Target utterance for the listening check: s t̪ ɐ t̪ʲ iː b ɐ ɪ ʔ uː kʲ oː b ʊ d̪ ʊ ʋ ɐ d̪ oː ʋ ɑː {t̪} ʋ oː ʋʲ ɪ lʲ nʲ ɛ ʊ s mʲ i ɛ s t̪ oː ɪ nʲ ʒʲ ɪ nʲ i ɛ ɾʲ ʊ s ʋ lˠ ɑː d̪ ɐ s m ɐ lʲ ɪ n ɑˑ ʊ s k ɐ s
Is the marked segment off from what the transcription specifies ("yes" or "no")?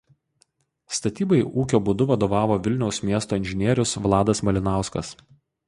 yes